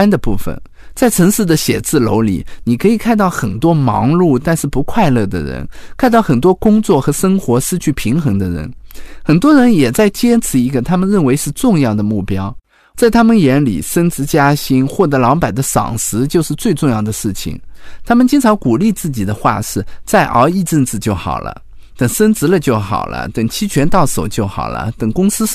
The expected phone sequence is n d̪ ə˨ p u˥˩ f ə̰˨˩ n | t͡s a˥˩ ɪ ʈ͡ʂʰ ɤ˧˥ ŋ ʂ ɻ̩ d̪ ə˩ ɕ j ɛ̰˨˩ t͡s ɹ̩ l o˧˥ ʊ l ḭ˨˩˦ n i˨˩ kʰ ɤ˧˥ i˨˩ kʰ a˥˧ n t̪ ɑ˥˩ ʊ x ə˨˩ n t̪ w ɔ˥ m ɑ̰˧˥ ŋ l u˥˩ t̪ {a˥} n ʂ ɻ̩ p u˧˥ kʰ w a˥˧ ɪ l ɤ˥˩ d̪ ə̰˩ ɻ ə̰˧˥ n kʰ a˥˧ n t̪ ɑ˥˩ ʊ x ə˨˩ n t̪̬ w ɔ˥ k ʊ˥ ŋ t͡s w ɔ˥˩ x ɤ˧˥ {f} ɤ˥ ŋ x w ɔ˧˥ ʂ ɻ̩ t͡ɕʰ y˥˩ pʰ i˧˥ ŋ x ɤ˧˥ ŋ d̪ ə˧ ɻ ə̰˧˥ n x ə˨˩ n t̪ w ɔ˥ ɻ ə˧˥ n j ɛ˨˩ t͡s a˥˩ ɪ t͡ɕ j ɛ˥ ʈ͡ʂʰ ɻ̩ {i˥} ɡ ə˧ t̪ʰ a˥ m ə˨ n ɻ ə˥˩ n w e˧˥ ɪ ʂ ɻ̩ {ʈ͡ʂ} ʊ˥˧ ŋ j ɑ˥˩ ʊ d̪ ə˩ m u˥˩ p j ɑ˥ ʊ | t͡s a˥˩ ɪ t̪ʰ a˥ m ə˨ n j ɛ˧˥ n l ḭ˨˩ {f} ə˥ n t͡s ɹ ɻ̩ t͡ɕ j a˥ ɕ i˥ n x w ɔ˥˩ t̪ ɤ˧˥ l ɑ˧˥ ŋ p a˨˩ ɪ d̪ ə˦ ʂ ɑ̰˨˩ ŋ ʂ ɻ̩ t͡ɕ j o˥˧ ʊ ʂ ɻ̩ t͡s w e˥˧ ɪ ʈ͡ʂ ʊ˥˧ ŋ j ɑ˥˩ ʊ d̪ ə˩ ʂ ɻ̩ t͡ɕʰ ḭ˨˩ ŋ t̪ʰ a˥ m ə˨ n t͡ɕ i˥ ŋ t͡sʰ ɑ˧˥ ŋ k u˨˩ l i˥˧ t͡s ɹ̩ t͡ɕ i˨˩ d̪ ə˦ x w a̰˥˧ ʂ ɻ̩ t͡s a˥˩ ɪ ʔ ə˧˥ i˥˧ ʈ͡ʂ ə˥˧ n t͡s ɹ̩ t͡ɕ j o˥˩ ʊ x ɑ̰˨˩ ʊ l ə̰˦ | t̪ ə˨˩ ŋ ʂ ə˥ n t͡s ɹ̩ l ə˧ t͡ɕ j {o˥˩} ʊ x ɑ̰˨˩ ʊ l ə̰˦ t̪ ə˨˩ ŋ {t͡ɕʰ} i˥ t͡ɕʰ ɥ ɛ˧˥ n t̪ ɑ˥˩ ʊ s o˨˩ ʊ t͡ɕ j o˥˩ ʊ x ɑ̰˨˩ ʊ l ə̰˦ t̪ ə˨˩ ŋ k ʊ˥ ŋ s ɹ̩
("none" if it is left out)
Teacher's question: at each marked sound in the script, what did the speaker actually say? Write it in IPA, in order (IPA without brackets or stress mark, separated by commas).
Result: a˥˧, ʂ, i˧˥, ʈ͡ʂ, ʂ, o˥˩, t͡ɕʰ